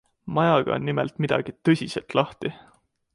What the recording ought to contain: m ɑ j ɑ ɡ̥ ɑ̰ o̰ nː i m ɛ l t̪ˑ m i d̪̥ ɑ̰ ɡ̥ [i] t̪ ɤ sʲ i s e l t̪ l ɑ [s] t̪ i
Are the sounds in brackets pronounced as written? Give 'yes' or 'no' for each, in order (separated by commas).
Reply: yes, no